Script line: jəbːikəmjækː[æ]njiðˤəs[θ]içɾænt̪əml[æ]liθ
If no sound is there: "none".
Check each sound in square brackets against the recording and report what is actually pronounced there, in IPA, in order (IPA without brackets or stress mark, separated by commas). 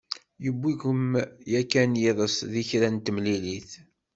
æ, ð, i